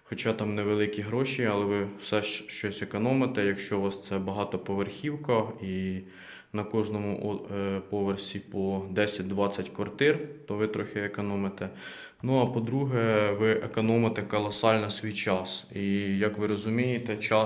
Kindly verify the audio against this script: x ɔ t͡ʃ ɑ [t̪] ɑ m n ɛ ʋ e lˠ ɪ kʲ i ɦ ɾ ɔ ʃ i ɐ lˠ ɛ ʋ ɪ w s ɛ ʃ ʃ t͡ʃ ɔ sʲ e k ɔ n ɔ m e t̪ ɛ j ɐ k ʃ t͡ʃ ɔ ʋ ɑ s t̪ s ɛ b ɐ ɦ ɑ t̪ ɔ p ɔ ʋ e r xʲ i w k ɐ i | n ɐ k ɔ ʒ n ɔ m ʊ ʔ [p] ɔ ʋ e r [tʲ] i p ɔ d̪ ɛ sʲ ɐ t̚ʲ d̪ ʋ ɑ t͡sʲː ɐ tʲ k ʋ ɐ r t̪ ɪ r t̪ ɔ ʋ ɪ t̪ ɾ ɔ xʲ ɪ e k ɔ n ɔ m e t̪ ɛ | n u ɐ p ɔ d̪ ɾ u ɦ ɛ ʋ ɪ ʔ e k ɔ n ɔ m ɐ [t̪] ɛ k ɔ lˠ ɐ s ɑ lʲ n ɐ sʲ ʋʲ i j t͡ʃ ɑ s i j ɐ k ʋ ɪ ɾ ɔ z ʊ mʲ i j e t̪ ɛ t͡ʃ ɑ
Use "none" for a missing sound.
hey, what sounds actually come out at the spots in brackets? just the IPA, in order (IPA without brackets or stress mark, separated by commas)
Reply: t̪, p, sʲ, t̪